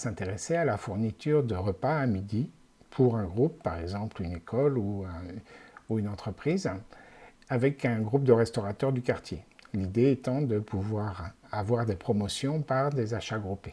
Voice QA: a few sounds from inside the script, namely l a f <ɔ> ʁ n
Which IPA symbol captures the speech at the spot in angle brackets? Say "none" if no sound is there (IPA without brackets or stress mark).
u